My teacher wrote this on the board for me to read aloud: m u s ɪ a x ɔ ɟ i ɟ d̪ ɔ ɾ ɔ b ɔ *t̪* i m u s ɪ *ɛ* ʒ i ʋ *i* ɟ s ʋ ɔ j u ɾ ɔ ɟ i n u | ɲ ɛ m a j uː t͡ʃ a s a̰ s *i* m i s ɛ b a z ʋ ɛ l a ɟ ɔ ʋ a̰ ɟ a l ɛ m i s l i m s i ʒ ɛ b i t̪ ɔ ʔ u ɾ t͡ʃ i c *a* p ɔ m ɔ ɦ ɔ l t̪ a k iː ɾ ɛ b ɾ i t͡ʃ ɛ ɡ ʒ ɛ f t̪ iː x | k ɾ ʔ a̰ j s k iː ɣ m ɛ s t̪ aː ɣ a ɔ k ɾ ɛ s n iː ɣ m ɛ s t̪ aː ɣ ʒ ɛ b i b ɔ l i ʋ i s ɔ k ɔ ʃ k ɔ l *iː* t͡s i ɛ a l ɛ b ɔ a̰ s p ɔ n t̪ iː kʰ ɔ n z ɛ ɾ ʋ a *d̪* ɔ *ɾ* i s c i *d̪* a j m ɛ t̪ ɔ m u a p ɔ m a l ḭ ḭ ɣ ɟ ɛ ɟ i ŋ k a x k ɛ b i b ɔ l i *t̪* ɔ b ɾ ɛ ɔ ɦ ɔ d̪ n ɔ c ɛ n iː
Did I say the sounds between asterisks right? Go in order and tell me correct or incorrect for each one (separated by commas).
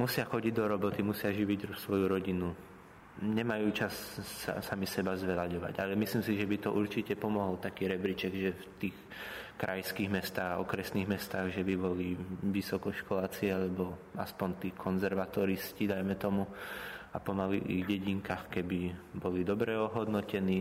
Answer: correct, incorrect, correct, incorrect, incorrect, incorrect, incorrect, correct, correct, incorrect